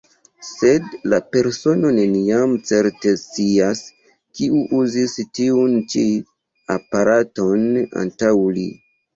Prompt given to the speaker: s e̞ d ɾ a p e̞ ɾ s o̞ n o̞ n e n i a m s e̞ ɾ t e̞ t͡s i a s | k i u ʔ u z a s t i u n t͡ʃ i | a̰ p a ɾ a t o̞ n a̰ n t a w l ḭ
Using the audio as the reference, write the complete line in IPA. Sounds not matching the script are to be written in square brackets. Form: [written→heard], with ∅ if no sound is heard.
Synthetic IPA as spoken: s e̞ d [ɾ→l] a p e̞ ɾ s o̞ n o̞ n e n i a m [s→t͡s] e̞ ɾ t e̞ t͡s i a s | k i u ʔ u z [a→i] s t i u n t͡ʃ i | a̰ p a ɾ a t o̞ n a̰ n t a w l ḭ